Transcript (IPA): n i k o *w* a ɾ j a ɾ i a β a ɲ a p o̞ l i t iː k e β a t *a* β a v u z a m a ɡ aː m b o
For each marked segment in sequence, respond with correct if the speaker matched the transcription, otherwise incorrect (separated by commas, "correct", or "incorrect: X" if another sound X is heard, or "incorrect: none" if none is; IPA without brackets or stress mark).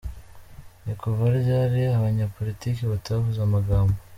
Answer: incorrect: v, correct